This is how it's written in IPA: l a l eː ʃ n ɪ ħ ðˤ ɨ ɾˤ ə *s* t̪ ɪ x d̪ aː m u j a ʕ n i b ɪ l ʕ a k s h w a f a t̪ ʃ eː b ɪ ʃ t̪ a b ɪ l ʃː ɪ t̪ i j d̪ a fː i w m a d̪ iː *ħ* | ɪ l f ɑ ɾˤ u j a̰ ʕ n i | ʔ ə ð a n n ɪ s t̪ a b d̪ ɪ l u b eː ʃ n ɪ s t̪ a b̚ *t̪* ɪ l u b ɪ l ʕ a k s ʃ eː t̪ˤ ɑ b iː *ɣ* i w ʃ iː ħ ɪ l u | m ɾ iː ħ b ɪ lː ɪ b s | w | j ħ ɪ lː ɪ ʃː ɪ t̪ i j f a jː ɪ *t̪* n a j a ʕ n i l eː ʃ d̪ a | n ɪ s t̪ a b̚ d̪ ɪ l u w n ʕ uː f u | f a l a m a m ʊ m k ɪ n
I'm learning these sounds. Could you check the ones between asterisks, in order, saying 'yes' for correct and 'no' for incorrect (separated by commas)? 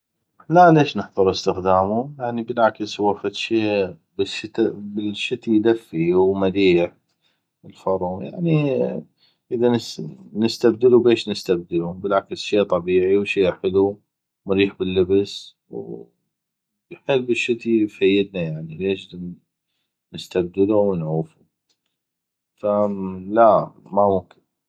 yes, yes, no, no, no